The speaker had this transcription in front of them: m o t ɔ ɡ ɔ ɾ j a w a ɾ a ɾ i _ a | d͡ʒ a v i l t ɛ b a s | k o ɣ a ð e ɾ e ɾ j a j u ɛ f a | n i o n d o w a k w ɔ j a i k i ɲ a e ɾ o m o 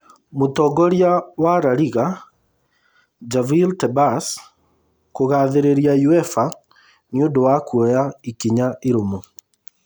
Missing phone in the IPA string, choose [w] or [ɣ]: ɣ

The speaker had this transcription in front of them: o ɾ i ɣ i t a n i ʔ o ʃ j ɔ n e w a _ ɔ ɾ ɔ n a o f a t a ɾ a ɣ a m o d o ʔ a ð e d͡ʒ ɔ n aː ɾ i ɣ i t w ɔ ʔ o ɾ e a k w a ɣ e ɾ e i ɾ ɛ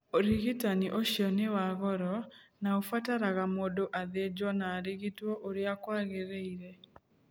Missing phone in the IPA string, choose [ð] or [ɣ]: ɣ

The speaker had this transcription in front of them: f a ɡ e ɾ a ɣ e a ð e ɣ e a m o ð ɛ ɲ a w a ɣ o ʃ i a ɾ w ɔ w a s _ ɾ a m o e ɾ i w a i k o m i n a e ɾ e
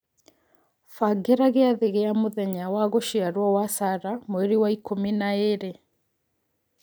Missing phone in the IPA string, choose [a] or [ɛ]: a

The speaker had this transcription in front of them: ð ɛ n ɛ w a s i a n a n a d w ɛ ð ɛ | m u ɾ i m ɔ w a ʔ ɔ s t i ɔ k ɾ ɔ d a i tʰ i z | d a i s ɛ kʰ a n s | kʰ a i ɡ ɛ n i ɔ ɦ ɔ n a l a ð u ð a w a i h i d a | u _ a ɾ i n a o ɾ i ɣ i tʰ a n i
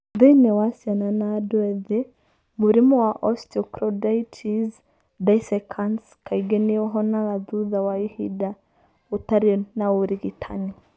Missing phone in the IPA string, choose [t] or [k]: t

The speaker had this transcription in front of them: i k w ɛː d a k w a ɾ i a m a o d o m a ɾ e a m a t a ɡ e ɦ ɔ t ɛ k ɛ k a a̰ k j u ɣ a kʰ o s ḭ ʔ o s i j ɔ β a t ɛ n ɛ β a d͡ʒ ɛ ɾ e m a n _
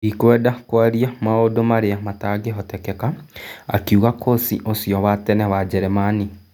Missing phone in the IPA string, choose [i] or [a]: i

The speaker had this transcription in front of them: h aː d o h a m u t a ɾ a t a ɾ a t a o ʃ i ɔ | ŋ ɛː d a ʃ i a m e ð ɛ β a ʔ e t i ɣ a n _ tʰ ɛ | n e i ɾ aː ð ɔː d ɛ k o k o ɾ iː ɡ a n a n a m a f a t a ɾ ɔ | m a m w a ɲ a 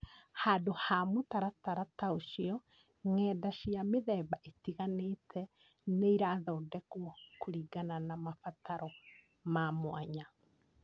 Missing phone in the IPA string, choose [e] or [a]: e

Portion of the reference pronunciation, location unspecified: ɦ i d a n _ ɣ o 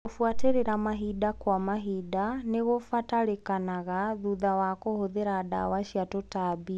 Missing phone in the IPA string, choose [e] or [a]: e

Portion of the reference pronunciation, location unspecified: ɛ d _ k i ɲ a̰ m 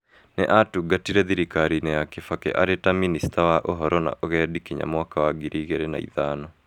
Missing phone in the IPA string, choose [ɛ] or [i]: i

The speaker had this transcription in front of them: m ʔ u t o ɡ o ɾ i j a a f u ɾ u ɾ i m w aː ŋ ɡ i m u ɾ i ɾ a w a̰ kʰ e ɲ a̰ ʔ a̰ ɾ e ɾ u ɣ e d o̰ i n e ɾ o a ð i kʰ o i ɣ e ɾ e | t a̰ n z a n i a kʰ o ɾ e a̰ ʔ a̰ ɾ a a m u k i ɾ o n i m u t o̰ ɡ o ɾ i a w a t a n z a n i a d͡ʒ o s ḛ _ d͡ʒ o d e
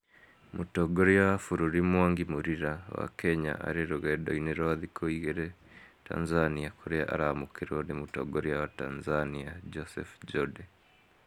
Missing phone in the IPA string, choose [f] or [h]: f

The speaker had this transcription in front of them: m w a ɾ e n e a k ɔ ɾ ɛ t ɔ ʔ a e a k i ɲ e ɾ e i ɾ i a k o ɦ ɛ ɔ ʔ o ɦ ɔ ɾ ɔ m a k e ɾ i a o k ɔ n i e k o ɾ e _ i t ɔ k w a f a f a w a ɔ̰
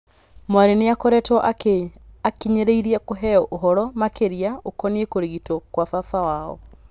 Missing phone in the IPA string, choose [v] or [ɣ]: ɣ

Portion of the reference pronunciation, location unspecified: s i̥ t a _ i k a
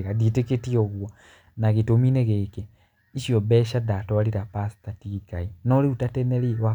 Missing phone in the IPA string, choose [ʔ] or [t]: t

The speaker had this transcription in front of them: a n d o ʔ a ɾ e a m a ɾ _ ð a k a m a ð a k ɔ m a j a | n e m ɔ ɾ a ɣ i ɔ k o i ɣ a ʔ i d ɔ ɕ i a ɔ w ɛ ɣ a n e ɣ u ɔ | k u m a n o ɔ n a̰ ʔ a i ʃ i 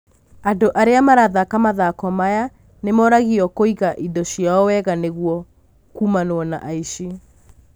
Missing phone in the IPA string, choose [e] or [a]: a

